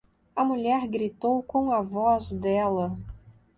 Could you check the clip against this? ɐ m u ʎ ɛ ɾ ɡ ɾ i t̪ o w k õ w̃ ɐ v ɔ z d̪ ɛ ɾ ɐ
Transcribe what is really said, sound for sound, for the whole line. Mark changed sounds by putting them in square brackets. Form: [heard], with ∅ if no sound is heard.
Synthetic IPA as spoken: ɐ m u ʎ ɛ ɾ ɡ ɾ i t̪ o w k õ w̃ ɐ v ɔ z d̪ ɛ [l] ɐ